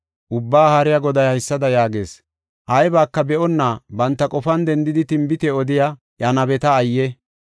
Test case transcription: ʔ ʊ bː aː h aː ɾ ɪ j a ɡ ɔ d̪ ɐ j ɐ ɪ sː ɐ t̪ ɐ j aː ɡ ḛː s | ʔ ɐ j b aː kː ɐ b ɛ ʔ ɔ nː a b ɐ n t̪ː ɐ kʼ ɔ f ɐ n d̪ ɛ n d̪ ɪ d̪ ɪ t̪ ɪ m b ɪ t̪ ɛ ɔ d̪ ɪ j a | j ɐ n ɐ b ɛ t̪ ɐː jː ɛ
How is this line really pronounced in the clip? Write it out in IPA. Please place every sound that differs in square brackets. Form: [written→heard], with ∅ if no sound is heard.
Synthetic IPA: ʔ ʊ bː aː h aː ɾ ɪ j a ɡ ɔ d̪ ɐ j ɐ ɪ sː ɐ [t̪→d̪] ɐ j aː ɡ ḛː s | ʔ ɐ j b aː kː ɐ b ɛ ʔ ɔ nː a b ɐ n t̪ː ɐ kʼ ɔ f ɐ n d̪ ɛ n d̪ ɪ d̪ ɪ t̪ ɪ m b ɪ t̪ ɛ ɔ d̪ ɪ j a | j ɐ n ɐ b ɛ t̪ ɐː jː ɛ